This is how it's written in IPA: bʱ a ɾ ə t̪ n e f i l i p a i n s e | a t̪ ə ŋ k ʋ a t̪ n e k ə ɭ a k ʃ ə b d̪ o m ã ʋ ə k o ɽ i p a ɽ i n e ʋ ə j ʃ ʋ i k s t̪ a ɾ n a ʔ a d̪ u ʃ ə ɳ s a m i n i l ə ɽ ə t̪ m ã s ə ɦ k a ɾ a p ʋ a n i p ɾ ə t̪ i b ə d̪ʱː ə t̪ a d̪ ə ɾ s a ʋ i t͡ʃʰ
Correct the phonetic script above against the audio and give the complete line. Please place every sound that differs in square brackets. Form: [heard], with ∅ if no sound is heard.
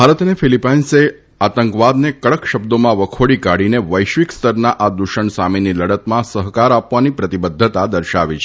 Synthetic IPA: bʱ a ɾ ə t̪ n e f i l i p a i n s e | a t̪ ə ŋ k ʋ a [d̪] n e k ə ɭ [ə] k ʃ ə b d̪ o m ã ʋ ə [kʰ] o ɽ i [k] a ɽ i n e ʋ ə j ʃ ʋ i k s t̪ [ə] ɾ n a ʔ a d̪ u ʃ ə ɳ s a m i n i l ə ɽ ə t̪ m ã s ə ɦ k a ɾ a p ʋ a n i p ɾ ə t̪ i b ə d̪ʱː ə t̪ a d̪ ə ɾ [ʃ] a ʋ i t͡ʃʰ